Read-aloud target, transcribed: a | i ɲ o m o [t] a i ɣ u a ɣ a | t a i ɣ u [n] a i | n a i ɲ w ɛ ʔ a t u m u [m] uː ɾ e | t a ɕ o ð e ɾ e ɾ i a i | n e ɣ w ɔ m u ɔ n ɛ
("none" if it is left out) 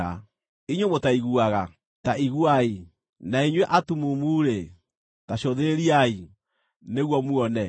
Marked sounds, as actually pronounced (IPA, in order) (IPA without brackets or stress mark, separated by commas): t, none, m